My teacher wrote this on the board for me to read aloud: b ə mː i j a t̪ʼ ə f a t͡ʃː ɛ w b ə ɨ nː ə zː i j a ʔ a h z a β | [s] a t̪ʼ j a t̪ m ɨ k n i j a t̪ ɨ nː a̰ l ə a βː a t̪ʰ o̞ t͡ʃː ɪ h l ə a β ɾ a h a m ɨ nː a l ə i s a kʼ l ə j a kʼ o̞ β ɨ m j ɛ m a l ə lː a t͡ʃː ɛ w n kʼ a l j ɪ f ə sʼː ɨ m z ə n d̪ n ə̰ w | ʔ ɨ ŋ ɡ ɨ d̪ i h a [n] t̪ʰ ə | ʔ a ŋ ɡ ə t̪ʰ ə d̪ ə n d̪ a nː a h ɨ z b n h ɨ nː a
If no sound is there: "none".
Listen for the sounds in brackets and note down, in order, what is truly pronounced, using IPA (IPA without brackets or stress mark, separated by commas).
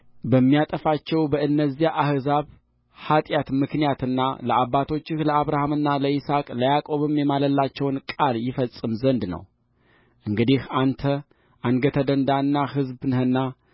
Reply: h, n